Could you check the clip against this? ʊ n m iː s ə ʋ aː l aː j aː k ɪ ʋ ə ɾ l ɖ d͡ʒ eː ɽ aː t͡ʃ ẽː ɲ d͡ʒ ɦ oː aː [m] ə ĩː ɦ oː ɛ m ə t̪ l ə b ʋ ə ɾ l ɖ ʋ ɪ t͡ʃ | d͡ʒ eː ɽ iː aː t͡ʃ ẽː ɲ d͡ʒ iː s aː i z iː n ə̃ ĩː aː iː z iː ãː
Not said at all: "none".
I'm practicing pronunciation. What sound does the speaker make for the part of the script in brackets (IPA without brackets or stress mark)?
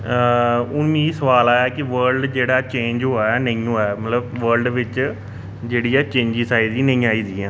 n